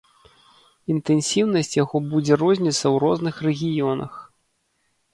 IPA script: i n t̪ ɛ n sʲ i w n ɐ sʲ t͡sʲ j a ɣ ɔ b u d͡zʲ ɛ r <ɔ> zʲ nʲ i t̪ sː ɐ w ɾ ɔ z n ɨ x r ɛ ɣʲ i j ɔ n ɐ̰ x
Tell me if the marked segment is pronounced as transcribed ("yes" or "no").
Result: yes